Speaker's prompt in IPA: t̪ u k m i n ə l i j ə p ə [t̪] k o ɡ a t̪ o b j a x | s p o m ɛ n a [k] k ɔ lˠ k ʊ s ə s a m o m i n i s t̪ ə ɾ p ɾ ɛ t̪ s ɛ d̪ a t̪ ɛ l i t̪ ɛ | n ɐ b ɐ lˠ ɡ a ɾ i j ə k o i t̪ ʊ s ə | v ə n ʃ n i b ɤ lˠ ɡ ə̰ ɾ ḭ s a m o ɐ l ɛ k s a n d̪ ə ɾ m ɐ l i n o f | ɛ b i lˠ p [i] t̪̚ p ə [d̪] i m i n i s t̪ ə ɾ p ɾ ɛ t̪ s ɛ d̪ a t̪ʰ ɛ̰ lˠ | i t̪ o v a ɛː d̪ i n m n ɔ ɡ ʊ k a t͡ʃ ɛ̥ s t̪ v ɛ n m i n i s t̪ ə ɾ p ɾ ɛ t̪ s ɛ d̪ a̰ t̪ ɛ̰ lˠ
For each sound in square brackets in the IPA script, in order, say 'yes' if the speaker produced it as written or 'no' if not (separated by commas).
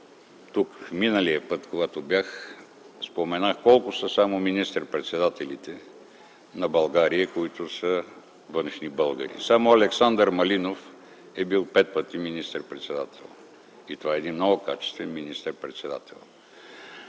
yes, no, no, no